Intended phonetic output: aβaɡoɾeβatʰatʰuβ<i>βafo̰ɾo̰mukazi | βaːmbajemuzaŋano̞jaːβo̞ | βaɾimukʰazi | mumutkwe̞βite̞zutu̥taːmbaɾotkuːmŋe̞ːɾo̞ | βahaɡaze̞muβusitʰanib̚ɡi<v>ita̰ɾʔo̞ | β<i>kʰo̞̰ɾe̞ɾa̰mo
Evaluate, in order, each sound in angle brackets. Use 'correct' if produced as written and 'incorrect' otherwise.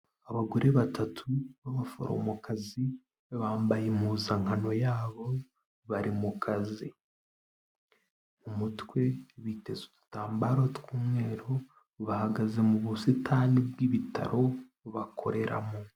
incorrect: a, incorrect: β, incorrect: a

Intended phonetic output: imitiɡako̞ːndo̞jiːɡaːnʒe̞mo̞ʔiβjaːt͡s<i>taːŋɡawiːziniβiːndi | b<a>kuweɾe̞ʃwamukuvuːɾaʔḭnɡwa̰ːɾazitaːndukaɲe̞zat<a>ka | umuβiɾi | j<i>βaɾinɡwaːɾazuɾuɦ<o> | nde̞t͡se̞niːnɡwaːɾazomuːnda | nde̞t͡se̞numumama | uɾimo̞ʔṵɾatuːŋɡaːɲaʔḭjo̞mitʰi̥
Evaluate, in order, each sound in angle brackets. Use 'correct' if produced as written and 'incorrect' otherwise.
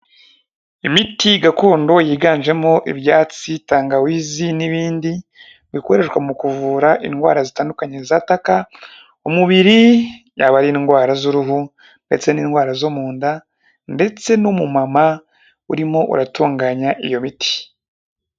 correct, incorrect: i, correct, incorrect: a, incorrect: u

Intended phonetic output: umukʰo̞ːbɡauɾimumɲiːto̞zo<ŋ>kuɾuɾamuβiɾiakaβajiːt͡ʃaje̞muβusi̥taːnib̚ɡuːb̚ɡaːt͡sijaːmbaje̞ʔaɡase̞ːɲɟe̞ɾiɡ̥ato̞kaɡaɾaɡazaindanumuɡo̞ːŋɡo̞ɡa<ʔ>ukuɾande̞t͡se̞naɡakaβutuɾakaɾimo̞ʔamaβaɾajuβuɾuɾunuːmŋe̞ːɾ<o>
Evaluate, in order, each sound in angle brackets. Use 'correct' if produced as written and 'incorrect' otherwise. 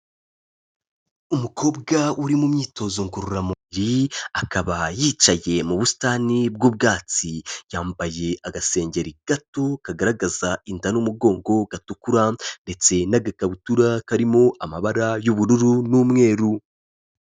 correct, incorrect: t, incorrect: u

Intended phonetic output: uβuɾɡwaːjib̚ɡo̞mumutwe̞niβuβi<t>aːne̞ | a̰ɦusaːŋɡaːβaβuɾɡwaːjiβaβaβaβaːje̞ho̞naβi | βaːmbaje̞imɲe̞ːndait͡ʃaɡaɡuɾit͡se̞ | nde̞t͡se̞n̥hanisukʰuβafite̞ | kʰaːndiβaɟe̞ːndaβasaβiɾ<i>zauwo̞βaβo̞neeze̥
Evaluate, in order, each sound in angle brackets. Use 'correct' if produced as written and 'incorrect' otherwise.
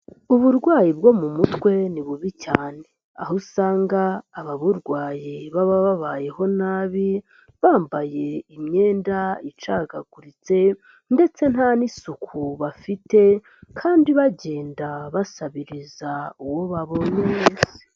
incorrect: c, correct

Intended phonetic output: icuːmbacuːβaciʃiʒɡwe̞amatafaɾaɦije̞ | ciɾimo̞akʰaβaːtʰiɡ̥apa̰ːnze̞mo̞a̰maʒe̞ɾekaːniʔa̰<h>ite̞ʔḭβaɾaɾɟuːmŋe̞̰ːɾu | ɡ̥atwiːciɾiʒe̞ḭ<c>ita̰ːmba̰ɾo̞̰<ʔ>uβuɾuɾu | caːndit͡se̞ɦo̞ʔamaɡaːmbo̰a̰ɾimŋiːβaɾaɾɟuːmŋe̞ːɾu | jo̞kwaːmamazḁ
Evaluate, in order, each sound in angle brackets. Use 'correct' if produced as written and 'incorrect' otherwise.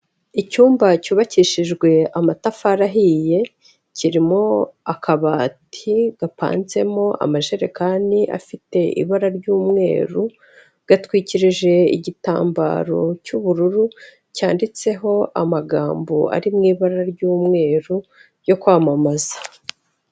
incorrect: f, incorrect: ɟ, incorrect: c

